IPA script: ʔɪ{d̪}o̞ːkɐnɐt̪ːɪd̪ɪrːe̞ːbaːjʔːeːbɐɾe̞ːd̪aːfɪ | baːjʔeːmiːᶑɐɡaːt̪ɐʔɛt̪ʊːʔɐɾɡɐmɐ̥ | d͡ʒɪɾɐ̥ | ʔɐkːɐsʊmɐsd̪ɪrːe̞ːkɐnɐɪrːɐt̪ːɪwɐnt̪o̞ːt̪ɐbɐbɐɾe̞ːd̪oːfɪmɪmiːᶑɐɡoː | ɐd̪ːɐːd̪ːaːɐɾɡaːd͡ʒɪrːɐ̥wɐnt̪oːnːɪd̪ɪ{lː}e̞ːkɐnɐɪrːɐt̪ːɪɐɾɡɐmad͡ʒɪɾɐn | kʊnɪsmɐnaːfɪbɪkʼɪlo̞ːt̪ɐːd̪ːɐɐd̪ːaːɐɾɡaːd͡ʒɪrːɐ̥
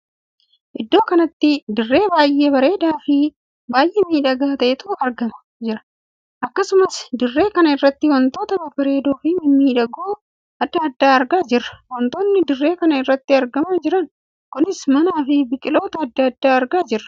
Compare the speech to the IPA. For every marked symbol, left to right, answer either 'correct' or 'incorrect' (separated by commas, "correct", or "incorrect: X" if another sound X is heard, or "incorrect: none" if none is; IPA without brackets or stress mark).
incorrect: d̪ː, incorrect: rː